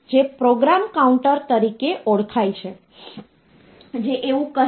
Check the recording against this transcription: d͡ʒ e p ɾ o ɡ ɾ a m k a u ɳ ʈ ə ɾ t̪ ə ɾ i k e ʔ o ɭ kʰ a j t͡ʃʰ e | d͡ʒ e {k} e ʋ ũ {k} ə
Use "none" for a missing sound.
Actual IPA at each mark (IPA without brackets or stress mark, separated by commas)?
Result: ʔ, k